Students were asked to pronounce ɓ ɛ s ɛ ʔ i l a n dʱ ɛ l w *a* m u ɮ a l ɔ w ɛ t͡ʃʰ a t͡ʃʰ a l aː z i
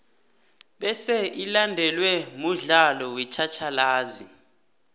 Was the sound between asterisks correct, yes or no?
no